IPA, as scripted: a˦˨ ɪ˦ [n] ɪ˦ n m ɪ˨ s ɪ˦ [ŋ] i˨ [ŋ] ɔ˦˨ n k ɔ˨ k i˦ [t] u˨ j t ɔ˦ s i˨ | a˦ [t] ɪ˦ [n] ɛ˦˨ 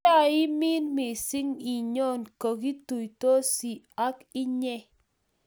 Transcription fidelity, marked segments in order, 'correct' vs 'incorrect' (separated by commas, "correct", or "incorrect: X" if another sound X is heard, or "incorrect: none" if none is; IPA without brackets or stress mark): incorrect: m, correct, incorrect: ɲ, correct, incorrect: k, incorrect: ɲ